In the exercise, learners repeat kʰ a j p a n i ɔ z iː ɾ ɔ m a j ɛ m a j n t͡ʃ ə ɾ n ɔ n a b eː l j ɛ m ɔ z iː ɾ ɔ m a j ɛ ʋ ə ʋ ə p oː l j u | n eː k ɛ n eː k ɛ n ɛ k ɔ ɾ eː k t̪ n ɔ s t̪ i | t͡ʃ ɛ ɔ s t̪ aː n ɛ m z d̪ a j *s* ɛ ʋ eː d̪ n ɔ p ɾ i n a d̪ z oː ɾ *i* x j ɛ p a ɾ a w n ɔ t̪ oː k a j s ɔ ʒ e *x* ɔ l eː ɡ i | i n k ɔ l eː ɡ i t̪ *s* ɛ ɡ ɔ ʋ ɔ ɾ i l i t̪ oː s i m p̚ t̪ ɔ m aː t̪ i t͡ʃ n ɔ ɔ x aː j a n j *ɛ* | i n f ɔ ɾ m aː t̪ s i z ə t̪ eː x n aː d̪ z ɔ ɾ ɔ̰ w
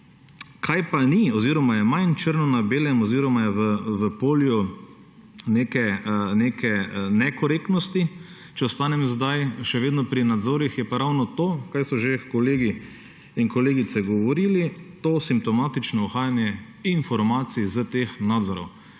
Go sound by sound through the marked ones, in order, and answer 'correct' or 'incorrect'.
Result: incorrect: ʃ, correct, incorrect: k, correct, correct

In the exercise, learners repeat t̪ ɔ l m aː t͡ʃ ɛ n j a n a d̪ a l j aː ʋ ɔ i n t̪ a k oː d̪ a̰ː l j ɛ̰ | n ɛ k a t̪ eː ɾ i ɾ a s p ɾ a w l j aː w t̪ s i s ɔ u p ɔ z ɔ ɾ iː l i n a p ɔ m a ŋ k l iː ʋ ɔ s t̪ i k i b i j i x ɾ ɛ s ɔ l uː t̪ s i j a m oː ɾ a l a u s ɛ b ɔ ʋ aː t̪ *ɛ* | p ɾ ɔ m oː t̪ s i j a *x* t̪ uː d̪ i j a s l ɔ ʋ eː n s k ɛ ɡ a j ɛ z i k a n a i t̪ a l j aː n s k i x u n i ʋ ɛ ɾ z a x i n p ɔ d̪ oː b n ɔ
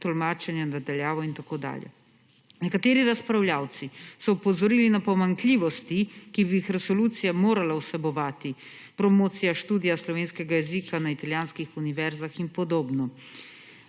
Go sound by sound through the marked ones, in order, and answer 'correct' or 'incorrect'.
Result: incorrect: i, incorrect: ʃ

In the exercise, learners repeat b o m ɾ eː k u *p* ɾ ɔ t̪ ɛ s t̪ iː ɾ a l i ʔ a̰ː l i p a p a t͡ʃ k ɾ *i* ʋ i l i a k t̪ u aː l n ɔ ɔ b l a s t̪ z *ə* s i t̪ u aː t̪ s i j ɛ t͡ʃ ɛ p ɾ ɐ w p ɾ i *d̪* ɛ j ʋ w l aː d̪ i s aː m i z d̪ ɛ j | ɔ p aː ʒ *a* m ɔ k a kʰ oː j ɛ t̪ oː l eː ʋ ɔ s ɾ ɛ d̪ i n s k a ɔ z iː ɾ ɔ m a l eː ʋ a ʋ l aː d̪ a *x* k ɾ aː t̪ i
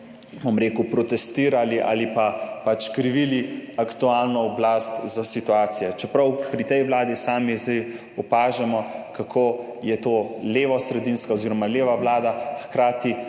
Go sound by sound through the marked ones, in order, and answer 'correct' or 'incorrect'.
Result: correct, correct, incorrect: a, incorrect: t̪, incorrect: ɛ, correct

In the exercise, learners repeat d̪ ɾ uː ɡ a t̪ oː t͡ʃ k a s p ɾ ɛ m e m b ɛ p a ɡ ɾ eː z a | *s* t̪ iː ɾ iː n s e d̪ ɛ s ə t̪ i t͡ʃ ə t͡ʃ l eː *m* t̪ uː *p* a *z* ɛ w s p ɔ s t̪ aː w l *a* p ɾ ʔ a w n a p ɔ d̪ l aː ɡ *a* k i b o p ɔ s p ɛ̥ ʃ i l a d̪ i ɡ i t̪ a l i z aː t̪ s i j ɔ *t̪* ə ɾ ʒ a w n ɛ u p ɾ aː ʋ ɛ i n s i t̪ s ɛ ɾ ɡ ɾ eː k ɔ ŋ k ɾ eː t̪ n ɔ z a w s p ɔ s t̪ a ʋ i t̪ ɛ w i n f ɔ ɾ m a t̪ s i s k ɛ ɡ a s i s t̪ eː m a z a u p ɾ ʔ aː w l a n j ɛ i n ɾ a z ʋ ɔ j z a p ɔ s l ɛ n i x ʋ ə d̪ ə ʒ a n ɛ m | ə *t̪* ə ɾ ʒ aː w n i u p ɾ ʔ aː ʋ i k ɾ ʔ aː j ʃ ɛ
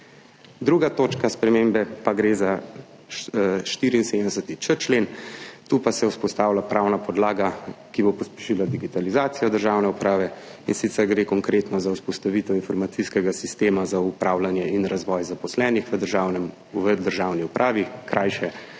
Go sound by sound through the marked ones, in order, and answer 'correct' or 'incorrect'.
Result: incorrect: ʃ, incorrect: n, correct, incorrect: s, correct, correct, incorrect: d̪, incorrect: d̪

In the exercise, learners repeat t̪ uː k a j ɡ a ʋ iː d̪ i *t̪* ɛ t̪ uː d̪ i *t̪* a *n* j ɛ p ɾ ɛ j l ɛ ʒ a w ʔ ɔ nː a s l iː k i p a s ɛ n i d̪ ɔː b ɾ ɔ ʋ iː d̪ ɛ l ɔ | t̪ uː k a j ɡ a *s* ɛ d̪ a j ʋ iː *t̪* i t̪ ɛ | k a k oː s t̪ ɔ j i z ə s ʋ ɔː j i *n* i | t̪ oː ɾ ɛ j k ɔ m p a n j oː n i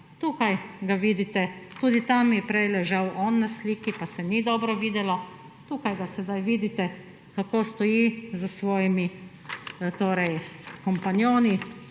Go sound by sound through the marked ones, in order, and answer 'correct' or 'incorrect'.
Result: correct, correct, incorrect: m, correct, incorrect: d̪, incorrect: m

